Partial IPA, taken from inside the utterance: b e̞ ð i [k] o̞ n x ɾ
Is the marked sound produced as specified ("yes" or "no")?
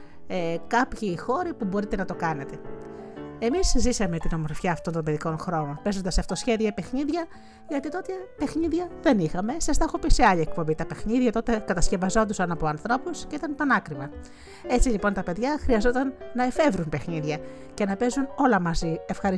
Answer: yes